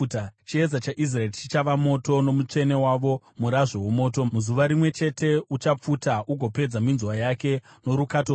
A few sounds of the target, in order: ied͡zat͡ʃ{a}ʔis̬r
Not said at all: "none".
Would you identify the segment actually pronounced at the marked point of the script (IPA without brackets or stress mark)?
a